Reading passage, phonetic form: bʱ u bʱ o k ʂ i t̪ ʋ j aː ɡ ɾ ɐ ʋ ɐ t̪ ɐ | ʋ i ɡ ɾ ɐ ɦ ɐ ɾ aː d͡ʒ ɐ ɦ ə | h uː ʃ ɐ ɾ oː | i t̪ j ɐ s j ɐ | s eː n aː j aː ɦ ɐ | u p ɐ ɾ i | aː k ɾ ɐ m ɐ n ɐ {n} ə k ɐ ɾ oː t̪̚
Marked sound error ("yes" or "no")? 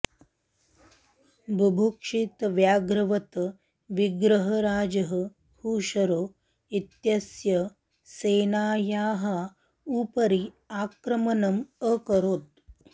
yes